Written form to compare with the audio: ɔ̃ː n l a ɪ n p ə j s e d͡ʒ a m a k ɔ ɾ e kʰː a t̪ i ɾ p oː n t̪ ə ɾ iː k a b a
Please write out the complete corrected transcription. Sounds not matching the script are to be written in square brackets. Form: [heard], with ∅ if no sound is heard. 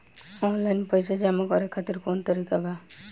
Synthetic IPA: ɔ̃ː n l a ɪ n p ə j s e d͡ʒ a m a k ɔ ɾ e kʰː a t̪ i ɾ [k] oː n t̪ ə ɾ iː k a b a